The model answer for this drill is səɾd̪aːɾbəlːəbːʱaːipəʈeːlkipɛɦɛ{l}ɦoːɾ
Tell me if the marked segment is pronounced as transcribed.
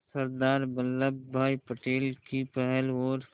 yes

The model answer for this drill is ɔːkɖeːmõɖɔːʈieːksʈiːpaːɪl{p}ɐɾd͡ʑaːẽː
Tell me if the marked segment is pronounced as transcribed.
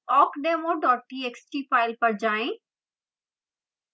yes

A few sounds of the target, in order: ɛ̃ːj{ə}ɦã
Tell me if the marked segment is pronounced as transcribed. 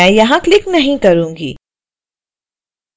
no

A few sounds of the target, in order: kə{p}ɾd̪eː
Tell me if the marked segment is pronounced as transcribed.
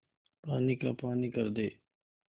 no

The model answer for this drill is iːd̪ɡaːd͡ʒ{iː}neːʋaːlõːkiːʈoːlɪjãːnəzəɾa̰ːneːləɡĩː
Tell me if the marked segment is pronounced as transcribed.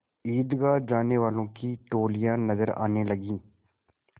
no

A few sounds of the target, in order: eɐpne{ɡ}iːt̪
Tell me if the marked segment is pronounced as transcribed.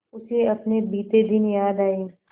no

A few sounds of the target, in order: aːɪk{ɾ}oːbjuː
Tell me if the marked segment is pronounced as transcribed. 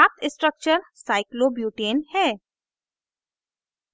no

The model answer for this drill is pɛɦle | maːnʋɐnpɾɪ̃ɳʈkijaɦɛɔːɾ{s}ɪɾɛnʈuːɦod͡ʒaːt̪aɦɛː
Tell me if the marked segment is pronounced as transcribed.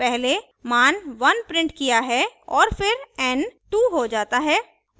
no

